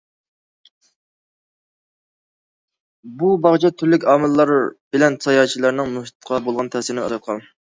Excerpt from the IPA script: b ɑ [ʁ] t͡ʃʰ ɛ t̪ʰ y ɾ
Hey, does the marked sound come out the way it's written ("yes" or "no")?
yes